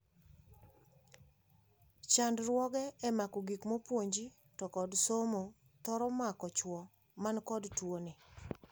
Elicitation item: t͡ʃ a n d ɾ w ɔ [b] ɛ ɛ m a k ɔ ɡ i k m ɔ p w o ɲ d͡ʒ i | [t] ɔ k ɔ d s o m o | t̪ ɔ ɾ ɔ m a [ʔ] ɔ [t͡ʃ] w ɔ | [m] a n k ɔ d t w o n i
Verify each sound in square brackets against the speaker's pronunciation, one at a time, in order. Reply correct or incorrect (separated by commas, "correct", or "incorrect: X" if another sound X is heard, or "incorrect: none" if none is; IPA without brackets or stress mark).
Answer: incorrect: ɡ, correct, incorrect: k, correct, correct